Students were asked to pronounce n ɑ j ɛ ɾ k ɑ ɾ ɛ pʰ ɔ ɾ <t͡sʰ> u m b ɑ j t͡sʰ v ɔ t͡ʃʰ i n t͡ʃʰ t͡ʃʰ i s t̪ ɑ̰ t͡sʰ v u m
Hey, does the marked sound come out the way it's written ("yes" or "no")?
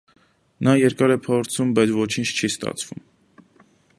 yes